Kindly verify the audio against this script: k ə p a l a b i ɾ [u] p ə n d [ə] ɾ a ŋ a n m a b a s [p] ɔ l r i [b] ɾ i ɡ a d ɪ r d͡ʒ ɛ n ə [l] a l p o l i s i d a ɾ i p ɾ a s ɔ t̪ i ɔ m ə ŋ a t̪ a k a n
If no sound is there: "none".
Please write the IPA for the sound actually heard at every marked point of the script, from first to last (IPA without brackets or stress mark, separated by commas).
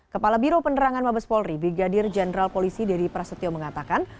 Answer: o, ə, p, b, ɾ